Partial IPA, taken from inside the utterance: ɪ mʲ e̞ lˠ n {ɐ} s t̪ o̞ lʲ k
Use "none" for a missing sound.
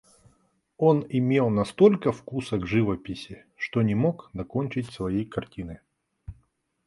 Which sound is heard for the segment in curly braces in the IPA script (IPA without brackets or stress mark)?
ɐ